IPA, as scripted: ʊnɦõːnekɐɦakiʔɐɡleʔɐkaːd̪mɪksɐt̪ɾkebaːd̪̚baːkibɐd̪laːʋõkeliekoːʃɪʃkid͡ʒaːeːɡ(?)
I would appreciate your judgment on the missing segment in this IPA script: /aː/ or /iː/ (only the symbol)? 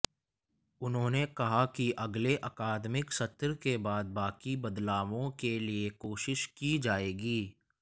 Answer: iː